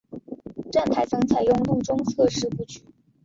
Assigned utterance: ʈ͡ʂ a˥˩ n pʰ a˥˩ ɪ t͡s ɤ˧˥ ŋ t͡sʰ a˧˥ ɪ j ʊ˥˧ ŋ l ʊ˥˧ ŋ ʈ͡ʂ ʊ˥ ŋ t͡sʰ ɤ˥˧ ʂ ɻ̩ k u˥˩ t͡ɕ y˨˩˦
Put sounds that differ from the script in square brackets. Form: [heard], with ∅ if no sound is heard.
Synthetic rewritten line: ʈ͡ʂ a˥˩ n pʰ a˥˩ ɪ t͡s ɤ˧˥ ŋ t͡sʰ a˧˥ ɪ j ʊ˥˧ ŋ l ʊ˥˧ ŋ ʈ͡ʂ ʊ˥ ŋ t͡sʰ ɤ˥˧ ʂ ɻ̩ [p] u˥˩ t͡ɕ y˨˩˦